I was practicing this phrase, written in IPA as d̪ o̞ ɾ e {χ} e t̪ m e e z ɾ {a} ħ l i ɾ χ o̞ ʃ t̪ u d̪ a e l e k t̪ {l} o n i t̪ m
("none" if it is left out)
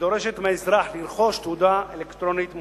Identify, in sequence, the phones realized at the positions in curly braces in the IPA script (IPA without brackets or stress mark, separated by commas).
ʃ, a, ɾ